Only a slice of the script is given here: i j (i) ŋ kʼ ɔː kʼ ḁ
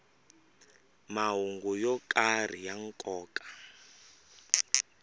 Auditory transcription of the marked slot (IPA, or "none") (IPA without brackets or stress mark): a